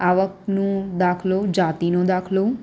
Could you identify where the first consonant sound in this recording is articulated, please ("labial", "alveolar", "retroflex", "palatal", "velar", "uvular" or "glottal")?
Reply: labial